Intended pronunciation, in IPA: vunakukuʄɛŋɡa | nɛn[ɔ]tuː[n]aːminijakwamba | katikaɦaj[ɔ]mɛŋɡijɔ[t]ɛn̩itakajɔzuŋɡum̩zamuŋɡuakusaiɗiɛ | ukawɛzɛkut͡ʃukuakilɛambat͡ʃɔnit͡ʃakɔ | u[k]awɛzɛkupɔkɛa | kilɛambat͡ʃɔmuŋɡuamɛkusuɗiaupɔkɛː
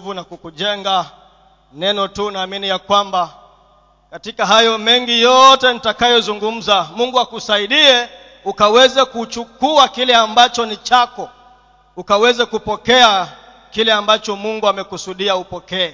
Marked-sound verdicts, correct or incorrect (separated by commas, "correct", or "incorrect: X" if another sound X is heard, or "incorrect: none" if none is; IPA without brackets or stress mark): correct, correct, correct, correct, correct